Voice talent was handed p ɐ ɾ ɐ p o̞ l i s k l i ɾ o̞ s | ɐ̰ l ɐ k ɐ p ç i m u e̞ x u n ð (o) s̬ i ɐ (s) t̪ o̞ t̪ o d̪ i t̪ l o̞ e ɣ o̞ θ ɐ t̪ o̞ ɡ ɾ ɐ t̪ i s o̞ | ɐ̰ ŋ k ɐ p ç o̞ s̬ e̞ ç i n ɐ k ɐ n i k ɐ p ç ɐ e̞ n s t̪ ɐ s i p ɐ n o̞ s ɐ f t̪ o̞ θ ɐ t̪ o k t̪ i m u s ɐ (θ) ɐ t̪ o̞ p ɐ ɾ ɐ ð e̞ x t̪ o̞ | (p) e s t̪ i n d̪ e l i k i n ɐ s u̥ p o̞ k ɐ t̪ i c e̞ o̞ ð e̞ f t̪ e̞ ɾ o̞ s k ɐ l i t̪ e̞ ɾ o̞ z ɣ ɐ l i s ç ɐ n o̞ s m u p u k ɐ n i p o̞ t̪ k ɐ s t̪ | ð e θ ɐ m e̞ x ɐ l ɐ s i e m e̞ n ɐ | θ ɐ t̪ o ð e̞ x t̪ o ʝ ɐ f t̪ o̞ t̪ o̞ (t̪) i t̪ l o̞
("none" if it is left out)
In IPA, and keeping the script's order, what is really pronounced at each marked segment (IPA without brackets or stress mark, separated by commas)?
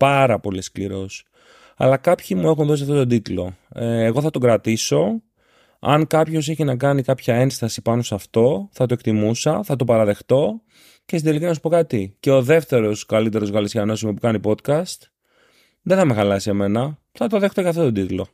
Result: o, f, θ, c, d̪